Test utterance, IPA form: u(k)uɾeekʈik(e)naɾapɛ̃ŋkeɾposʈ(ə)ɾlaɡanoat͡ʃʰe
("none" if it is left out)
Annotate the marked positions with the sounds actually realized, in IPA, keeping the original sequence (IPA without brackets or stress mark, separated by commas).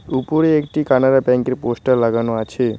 p, a, ə